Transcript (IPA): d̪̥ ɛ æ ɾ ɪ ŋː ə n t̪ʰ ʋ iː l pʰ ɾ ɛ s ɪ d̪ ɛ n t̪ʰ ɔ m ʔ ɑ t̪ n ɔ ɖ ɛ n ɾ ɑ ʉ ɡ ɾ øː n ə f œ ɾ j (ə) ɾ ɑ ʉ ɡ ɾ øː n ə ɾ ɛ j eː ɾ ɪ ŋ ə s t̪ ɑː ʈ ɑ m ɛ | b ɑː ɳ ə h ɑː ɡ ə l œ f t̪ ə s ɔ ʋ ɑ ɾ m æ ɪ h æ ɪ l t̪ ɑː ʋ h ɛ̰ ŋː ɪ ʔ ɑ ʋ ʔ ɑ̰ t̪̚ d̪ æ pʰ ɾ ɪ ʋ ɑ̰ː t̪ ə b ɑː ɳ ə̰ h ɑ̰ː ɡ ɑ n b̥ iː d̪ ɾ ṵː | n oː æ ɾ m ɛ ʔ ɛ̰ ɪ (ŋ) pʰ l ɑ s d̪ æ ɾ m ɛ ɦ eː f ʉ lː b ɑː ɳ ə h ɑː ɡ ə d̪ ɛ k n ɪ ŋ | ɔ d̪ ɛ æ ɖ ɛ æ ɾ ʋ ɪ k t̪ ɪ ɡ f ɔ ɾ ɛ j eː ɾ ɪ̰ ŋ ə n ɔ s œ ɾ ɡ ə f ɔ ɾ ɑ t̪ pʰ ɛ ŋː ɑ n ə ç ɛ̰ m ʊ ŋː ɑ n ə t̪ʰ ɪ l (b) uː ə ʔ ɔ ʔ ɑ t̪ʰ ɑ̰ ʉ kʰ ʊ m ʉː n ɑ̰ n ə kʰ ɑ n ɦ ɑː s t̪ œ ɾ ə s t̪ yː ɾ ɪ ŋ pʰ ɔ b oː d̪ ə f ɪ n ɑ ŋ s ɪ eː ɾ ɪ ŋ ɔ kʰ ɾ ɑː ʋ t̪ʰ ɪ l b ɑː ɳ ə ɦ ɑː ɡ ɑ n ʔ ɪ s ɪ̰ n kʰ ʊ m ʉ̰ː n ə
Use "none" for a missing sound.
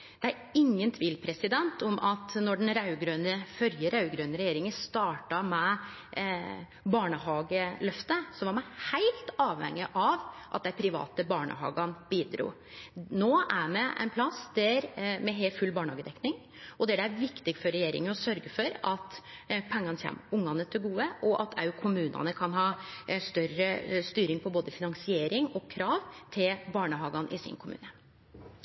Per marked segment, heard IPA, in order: ə, n, ɡ

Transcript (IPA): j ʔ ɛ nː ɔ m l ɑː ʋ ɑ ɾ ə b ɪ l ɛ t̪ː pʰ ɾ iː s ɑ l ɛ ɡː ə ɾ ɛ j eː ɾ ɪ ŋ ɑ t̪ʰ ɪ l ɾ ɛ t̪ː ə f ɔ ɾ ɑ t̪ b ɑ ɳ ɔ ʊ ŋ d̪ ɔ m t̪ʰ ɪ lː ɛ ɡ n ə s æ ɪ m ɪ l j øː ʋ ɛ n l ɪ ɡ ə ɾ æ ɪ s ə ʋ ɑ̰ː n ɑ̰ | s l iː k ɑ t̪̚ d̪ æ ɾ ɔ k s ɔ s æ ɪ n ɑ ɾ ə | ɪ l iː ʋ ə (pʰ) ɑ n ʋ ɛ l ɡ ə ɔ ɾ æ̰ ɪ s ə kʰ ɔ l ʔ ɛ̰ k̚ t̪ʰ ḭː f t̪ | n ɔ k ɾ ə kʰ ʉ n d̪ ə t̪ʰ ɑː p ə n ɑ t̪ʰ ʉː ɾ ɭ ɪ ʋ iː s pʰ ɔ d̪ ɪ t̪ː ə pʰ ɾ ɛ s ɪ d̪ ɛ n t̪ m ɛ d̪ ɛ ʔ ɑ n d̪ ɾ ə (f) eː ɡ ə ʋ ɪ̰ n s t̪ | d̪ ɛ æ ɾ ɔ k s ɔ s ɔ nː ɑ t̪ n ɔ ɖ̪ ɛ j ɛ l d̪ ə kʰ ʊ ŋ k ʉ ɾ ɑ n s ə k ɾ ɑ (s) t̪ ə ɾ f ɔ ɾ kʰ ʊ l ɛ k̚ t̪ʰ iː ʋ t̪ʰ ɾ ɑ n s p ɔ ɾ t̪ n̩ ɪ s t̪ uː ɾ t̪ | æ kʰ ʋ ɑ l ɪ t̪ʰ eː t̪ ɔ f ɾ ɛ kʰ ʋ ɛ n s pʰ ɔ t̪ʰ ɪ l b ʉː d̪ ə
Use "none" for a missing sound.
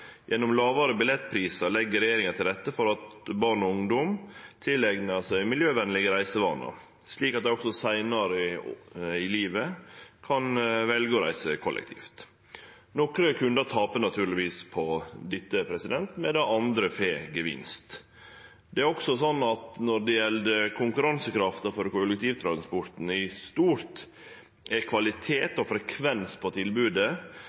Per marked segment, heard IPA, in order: kʰ, f, f

